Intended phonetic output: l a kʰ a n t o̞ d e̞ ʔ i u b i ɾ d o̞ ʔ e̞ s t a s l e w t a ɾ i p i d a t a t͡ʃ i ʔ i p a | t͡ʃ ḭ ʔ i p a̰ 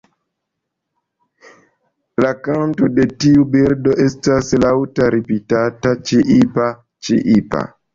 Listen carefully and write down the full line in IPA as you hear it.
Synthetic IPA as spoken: l a k a n t o̞ d e̞ t i u b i ɾ d o̞ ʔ e̞ s t a s l a w t a ɾ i p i t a t a t͡ʃ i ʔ i p a | t͡ʃ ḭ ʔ i p a̰